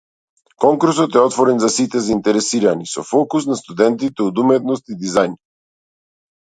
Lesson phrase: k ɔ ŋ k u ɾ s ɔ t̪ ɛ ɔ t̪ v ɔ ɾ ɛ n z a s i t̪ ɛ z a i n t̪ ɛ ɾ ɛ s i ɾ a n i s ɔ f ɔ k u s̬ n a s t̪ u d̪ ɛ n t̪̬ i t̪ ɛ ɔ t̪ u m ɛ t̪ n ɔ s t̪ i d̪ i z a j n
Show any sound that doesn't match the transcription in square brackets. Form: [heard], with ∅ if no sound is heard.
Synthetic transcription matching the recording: k ɔ ŋ k u ɾ s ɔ t̪ ɛ ɔ t̪ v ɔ ɾ ɛ n z a s i t̪ ɛ z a i n t̪ ɛ ɾ ɛ s i ɾ a n i s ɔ f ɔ k u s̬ n a s t̪ u d̪ ɛ n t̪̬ i t̪ ɛ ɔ [d̪] u m ɛ t̪ n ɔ s t̪ i d̪ i z a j n